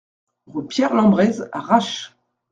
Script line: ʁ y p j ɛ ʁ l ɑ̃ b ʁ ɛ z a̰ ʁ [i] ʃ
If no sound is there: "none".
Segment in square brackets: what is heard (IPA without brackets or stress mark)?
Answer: a